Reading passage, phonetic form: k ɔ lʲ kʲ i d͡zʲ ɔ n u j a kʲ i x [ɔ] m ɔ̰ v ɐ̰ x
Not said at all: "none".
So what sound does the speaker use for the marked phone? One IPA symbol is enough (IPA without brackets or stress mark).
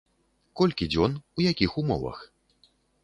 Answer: u